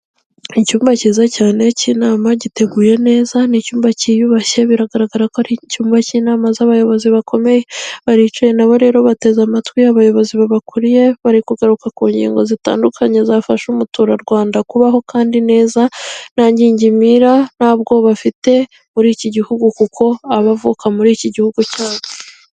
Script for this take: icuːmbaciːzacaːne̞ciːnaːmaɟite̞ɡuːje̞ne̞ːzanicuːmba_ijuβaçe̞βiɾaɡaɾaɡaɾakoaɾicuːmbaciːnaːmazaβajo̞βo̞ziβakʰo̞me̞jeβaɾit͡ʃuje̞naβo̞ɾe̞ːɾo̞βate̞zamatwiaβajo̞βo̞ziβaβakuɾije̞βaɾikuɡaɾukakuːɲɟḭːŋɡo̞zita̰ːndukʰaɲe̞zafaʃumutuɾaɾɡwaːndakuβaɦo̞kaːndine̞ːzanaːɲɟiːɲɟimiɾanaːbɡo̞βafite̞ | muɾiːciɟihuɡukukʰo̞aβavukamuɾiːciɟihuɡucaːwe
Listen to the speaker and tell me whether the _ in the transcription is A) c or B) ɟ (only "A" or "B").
A